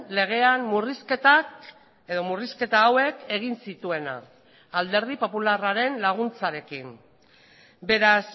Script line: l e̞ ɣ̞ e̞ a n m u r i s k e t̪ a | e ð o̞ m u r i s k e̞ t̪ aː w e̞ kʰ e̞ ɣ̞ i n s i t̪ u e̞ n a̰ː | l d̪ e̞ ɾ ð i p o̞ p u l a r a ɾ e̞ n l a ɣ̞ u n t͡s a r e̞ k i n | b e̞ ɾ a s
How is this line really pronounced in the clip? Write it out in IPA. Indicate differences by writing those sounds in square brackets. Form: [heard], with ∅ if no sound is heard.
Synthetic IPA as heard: l e̞ ɣ̞ e̞ a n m u r i s k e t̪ a | e ð o̞ m u r i s k e̞ t̪ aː w e̞ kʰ e̞ ɣ̞ i n s i t̪ u e̞ n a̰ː | l d̪ e̞ ɾ ð i p o̞ p u l a r a ɾ e̞ n l a ɣ̞ u n t͡s a [ɾ] e̞ k i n | b e̞ ɾ a s